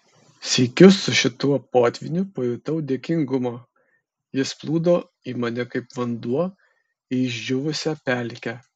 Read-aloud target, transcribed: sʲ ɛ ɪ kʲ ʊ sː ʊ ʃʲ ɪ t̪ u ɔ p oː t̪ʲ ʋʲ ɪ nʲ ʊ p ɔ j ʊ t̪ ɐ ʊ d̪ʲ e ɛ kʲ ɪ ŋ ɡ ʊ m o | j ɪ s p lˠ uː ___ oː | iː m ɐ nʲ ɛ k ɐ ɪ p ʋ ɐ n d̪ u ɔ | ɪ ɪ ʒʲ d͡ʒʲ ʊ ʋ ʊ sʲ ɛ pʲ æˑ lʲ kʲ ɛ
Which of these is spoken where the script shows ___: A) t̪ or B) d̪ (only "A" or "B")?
B